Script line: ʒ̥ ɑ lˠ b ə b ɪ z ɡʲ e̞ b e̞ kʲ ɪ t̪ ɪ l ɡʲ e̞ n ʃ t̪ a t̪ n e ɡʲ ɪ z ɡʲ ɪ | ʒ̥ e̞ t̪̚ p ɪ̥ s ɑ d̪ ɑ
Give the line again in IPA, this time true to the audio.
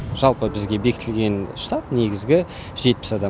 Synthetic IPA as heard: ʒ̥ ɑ lˠ p ə b ɪ z ɡʲ e̞ b e̞ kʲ ɪ t̪ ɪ l ɡʲ e̞ n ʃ t̪ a t̪ n e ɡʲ ɪ z ɡʲ ɪ | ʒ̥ e̞ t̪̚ p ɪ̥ s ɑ d̪ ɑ

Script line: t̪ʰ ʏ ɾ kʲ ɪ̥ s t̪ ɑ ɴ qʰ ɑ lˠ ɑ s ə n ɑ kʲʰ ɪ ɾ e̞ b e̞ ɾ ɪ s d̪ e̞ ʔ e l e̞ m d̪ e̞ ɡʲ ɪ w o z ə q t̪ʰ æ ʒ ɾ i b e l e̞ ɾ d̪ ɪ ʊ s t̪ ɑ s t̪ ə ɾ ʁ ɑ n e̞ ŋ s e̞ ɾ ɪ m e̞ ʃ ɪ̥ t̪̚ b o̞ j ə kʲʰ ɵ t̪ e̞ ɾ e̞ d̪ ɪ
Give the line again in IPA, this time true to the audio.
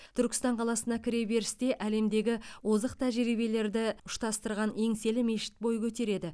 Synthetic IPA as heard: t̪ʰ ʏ ɾ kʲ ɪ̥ s t̪ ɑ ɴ qʰ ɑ lˠ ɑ s ə n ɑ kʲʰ ɪ ɾ e̞ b e̞ ɾ ɪ s t̪ e̞ ʔ æ l e̞ m d̪ e̞ ɡʲ ɪ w o z ə q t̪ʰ æ ʒ ɾ i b e l e̞ ɾ d̪ ɪ ʊ ʃ t̪ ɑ s t̪ ə ɾ ʁ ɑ n e̞ ŋ s e̞ l ɪ m e̞ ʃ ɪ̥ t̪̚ b o̞ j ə kʲʰ ɵ t̪ e̞ ɾ e̞ d̪ ɪ

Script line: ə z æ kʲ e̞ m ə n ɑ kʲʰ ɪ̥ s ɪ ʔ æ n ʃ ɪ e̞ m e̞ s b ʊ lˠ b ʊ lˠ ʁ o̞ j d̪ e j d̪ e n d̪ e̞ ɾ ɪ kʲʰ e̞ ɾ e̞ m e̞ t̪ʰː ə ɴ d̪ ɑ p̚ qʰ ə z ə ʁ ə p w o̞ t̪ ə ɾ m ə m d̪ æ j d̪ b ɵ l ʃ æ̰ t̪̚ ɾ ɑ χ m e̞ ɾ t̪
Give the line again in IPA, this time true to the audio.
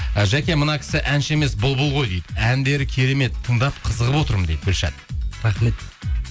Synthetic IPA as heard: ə ʒ æ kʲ e̞ m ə n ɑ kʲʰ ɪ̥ s ɪ ʔ æ n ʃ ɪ e̞ m e̞ s b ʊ lˠ b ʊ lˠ ʁ o̞ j d̪ e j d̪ æ n d̪ e̞ ɾ ɪ kʲʰ e̞ ɾ e̞ m e̞ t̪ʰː ə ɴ d̪ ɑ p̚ qʰ ə z ə ʁ ə p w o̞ t̪ ə ɾ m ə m d̪ e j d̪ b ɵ l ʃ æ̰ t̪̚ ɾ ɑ χ m e̞ t̪

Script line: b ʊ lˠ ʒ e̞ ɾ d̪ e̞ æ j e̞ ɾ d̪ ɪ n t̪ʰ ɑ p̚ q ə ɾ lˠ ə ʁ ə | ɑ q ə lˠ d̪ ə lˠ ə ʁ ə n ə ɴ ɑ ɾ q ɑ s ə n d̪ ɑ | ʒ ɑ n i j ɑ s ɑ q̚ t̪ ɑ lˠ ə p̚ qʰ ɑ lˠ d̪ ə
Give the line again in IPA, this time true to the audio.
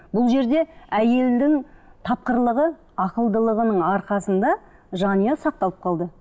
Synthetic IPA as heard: b ʊ lˠ ʒ e̞ ɾ d̪ e̞ æ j e̞ l d̪ ɪ ŋ t̪ʰ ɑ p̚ q ə ɾ lˠ ə ʁ ə | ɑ q ə lˠ d̪ ə lˠ ə ʁ ə n ə ɴ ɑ ɾ q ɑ s ə n d̪ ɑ | ʒ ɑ n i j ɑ s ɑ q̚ t̪ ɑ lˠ ə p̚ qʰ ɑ lˠ d̪ ə

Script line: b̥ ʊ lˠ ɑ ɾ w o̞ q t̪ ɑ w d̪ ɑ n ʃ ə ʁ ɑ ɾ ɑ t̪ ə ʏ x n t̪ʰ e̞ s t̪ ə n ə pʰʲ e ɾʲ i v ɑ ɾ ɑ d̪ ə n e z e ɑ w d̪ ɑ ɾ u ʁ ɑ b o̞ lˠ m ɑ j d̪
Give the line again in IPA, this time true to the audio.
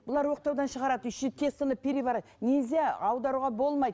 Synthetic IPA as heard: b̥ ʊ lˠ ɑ ɾ w o̞ q t̪ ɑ w d̪ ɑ n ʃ ə ʁ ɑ ɾ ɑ d̪ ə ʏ ʃ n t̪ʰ e̞ s t̪ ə n ə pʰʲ e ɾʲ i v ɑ ɾ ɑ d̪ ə n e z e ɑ w d̪ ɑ ɾ u ʁ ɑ b o̞ lˠ m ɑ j d̪

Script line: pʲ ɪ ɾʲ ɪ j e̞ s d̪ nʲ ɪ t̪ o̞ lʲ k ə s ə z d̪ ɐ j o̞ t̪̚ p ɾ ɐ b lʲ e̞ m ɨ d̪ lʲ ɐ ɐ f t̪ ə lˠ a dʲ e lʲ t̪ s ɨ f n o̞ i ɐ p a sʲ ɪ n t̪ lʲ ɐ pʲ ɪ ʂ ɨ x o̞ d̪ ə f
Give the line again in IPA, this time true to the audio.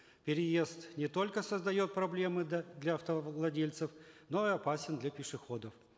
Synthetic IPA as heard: pʲ ɪ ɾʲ ɪ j e̞ s t̪ nʲ ɪ t̪ o̞ lʲ k ə s ə z d̪ ɐ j o̞ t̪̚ p ɾ ɐ b lʲ e̞ m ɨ d̪ lʲ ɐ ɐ f t̪ ə lˠ ɐ dʲ e lʲ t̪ s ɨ f n o̞ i ɐ p a sʲ ɪ n d̪ lʲ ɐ pʲ ɪ ʂ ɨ x o̞ d̪ ə f

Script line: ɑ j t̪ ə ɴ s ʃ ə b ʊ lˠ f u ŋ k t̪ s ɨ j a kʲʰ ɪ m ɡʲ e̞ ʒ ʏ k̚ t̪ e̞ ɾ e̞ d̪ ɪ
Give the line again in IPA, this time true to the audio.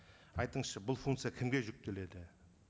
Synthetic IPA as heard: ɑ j t̪ ə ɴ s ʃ ə b ʊ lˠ f u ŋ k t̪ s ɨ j a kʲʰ ɪ m ɡʲ e̞ ʒ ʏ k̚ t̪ e̞ l e̞ d̪ ɪ

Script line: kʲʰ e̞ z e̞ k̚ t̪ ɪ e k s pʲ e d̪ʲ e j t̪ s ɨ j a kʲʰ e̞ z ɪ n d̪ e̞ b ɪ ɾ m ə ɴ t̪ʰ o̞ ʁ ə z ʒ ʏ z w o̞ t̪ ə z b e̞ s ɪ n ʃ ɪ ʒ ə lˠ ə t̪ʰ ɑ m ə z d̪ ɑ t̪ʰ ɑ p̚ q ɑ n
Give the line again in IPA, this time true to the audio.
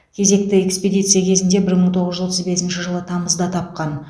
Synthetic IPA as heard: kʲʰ e̞ z e̞ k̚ t̪ ɪ e k s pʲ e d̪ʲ i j t̪ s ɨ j a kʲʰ e̞ z ɪ n d̪ e̞ b ɪ ɾ m ə ɴ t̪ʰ o̞ ʁ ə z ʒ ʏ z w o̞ t̪ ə z b e̞ s ɪ n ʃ ɪ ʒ ə lˠ ə t̪ʰ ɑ m ə z d̪ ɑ t̪ʰ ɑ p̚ q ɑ n

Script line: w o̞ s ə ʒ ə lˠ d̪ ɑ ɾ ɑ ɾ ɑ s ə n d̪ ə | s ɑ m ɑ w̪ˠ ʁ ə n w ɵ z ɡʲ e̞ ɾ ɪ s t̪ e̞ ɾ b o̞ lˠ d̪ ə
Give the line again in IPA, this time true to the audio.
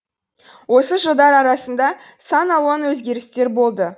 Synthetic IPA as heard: w o̞ s ə ʒ ə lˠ d̪ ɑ ɾ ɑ ɾ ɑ s ə n d̪ ɑ | s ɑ n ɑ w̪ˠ ʁ ɑ n w ɵ z ɡʲ e̞ ɾ ɪ s t̪ e̞ ɾ b o̞ lˠ d̪ ə

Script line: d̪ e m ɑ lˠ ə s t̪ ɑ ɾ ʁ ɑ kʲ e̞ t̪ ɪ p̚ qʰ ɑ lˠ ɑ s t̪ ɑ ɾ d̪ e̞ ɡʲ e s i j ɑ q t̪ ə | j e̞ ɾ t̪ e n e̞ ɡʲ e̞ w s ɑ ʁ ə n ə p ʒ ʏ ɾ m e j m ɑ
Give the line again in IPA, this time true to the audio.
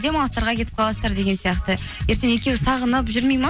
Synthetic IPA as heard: d̪ e m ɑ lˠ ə s t̪ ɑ ɾ ʁ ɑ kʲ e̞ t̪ ɪ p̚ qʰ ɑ lˠ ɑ s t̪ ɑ ɾ d̪ e̞ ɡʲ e s i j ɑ q t̪ ə | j e̞ ɾ t̪ e n e̞ kʲ e̞ w s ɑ ʁ ə n ə p ʒ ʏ ɾ m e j m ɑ

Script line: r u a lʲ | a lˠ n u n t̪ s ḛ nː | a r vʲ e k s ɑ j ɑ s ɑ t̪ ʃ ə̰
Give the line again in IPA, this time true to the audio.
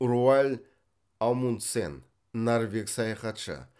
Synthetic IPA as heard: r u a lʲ | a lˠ m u n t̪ s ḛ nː | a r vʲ e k s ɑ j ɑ χ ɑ t̪ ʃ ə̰

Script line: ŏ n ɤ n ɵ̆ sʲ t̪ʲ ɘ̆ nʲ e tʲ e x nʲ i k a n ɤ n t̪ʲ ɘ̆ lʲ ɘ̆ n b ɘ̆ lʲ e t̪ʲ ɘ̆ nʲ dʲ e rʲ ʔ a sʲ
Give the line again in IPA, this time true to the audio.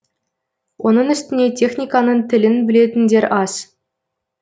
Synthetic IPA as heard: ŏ n ɤ n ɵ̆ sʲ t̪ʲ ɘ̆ nʲ e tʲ e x nʲ i k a n ɤ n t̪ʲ ɘ̆ lʲ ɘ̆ n b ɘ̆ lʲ e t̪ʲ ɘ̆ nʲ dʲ e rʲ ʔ ɑ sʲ

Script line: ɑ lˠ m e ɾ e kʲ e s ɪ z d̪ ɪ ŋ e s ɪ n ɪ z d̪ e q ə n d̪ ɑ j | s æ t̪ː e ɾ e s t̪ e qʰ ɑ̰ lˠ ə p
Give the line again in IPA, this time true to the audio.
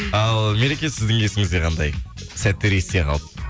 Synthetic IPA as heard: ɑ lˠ m e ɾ e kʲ e s ɪ z d̪ ɪ ŋ e s ɪ ŋ ɪ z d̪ e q ɑ n d̪ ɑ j | s æ t̪ː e ɾ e s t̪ e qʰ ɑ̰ lˠ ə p

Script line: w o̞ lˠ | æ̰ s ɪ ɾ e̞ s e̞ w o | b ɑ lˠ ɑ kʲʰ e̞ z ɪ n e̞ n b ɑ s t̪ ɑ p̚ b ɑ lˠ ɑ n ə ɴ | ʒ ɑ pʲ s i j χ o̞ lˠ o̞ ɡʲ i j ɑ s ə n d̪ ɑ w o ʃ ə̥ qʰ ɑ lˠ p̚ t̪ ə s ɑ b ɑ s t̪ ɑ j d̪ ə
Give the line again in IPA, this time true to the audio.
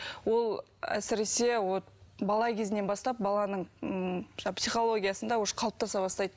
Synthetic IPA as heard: w o̞ lˠ | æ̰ s ɪ ɾ e̞ s e̞ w o | b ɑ lˠ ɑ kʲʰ e̞ z ɪ n e̞ n b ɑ s t̪ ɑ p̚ b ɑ lˠ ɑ n ə ɴ | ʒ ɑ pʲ s i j χ o̞ lˠ o̞ ɡʲ i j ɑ s ə n d̪ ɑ w o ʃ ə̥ qʰ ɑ lˠ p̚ t̪ ɑ s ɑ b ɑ s t̪ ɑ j d̪ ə

